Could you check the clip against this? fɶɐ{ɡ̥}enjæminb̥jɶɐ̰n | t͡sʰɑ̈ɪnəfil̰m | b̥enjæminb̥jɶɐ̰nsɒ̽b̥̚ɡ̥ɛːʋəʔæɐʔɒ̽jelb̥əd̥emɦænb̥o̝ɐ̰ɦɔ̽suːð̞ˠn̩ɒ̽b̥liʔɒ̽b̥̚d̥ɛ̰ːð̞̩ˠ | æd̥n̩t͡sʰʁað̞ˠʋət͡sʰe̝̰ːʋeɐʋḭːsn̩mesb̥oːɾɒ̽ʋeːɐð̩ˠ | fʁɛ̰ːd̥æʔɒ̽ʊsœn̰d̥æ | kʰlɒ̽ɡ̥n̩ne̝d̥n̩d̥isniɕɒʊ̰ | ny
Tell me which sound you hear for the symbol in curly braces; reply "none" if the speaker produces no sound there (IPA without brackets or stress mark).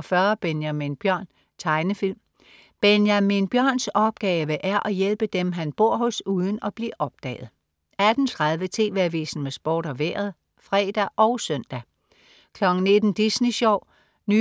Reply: b̥